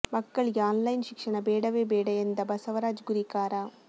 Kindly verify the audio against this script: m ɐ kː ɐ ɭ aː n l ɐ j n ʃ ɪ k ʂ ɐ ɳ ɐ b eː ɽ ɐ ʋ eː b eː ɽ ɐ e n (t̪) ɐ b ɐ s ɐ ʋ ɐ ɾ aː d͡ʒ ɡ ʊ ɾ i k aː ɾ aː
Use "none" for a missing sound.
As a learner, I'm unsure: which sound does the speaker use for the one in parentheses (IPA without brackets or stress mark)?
d̪